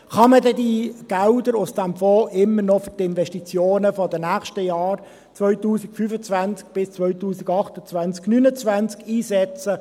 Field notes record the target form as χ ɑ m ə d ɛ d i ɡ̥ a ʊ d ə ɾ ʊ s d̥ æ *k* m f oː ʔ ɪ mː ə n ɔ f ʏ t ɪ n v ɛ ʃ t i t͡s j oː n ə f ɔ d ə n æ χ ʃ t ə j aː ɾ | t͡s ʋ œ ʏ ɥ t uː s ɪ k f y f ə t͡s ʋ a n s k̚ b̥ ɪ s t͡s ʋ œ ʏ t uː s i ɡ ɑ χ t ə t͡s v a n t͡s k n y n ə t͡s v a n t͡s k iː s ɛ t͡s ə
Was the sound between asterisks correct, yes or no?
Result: no